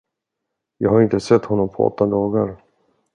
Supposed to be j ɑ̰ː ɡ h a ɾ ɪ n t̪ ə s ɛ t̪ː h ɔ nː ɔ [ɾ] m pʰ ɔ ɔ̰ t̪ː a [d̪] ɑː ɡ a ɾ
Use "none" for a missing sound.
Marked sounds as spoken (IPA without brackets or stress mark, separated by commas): none, d̪